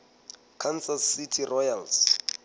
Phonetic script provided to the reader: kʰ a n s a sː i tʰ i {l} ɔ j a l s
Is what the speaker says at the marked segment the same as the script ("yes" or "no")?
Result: no